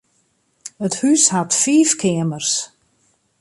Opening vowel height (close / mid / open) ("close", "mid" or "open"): mid